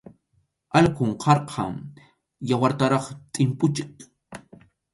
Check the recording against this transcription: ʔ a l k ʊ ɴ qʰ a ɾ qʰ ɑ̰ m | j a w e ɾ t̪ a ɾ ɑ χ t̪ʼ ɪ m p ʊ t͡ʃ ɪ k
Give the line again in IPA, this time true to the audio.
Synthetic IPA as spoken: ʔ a l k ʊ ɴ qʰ ɑ ɾ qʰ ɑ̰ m | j a w a ɾ t̪ a ɾ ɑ χ t̪ʼ ɪ m p ʊ t͡ʃ ɪ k